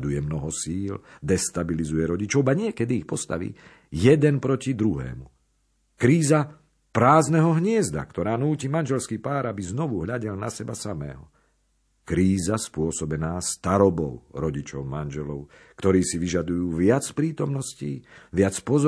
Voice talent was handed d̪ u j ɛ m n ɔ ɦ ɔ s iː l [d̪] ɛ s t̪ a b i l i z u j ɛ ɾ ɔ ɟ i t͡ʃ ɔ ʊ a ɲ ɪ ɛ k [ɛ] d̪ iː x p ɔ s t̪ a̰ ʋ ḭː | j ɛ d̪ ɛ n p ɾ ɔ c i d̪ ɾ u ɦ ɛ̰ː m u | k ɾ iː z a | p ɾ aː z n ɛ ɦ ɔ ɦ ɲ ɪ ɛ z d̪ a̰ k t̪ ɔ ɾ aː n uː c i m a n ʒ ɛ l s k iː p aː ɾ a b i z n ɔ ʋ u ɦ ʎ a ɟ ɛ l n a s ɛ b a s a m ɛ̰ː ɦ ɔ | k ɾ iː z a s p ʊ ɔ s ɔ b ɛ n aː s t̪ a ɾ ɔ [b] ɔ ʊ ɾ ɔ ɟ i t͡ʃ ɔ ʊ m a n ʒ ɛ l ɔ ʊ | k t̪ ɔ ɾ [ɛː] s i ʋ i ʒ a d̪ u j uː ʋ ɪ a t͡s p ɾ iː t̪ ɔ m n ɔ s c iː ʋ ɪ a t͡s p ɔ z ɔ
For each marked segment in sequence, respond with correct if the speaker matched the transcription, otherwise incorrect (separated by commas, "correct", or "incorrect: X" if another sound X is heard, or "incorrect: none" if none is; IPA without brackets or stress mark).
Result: correct, correct, correct, incorrect: iː